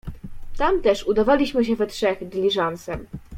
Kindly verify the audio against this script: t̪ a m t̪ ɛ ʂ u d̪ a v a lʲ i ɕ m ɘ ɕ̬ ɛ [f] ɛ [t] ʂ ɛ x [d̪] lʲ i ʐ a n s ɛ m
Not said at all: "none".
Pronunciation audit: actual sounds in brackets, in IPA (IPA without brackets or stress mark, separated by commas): v, t, d̪